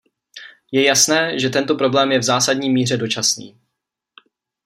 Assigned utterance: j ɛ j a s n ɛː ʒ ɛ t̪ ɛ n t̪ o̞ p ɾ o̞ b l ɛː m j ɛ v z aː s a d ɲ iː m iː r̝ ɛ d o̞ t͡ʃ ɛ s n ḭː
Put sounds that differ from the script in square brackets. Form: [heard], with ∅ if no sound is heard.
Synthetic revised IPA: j ɛ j a s n ɛː ʒ ɛ t̪ ɛ n t̪ o̞ p ɾ o̞ b l ɛː m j ɛ v z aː s a d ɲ iː m iː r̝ ɛ d o̞ t͡ʃ [a] s n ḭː